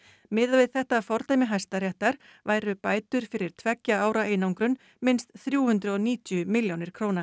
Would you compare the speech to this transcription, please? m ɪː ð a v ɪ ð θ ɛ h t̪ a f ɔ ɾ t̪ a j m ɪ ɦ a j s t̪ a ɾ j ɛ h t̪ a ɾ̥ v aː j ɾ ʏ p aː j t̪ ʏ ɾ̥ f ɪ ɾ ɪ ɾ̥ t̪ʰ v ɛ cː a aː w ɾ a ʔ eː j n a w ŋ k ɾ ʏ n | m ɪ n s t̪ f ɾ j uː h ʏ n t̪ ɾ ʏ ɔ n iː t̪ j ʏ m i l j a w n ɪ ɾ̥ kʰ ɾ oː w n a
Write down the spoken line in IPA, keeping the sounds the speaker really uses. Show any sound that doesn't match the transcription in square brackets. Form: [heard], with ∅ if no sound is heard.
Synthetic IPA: m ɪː ð a v ɪ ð θ ɛ h t̪ a f ɔ ɾ t̪ a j m ɪ ɦ a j s t̪ a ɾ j ɛ h t̪ a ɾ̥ v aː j ɾ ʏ p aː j t̪ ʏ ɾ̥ f ɪ ɾ ɪ ɾ̥ t̪ʰ v ɛ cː a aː w ɾ a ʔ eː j n a w ŋ k ɾ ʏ n | m ɪ n s t̪ [θ] ɾ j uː h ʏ n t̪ ɾ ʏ ɔ n iː t̪ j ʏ m [ɪ] l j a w n ɪ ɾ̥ kʰ ɾ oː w n a